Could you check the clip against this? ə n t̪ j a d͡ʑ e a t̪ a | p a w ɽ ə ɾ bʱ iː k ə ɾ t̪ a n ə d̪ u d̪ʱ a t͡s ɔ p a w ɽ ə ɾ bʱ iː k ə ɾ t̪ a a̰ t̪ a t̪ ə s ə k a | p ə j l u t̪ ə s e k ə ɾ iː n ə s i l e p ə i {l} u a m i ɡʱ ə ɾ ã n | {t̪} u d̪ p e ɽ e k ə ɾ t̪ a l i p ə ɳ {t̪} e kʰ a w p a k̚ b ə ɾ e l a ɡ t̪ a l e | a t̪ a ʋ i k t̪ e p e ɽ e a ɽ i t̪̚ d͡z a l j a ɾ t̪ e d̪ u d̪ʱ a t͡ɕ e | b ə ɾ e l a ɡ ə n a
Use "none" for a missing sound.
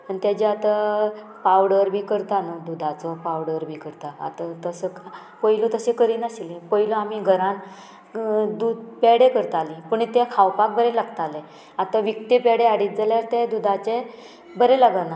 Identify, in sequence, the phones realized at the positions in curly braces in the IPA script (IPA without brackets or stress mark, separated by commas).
l, d̪, t̪